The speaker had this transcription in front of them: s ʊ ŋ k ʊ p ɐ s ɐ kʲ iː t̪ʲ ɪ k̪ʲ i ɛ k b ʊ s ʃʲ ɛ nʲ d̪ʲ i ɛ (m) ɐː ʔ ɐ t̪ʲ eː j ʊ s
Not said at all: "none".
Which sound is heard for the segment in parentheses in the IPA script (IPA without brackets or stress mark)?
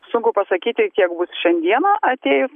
n